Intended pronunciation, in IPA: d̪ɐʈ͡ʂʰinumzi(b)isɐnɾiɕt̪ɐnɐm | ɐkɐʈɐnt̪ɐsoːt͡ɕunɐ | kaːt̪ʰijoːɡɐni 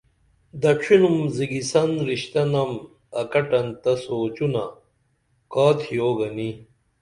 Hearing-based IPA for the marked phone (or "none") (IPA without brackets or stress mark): ɡ